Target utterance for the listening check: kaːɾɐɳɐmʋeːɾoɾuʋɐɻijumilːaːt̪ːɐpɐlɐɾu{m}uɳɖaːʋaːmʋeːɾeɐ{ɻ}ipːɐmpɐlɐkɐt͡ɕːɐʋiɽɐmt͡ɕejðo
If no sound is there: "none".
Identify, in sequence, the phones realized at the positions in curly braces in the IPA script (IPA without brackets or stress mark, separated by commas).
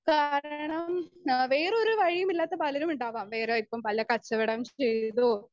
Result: m, none